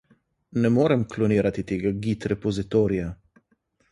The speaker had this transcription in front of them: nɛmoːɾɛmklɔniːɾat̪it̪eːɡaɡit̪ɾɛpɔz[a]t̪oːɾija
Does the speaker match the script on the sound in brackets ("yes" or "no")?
no